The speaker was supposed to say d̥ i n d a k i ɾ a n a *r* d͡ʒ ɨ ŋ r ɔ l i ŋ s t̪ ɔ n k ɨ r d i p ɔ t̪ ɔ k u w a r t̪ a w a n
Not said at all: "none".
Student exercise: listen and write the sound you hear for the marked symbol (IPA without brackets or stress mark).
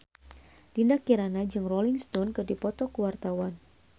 none